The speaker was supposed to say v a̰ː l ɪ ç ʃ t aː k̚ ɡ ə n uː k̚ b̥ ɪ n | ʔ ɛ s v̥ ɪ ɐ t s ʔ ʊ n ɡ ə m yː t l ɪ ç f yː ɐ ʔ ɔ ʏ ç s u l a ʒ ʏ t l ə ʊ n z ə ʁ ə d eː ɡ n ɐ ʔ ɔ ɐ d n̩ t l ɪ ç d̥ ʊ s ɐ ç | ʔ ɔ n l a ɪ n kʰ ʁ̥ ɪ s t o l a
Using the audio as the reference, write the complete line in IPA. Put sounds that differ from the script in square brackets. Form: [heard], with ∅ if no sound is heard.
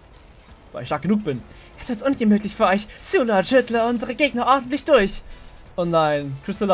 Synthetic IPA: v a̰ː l ɪ ç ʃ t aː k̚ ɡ ə n uː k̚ b̥ ɪ n | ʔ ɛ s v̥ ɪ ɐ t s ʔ ʊ n ɡ ə m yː t l ɪ ç f yː ɐ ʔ ɔ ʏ ç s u l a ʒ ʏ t l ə ʊ n z ə ʁ ə [ɡ] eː ɡ n ɐ ʔ ɔ ɐ d n̩ t l ɪ ç d̥ ʊ [∅] ɐ ç | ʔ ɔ n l a ɪ n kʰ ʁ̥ ɪ s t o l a